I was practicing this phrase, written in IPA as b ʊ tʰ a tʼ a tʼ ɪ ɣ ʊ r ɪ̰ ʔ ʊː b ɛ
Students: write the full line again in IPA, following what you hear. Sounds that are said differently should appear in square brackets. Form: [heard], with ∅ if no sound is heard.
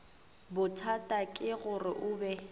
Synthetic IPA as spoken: b ʊ tʰ a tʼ a [kʼ] ɪ ɣ ʊ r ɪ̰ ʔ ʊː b ɛ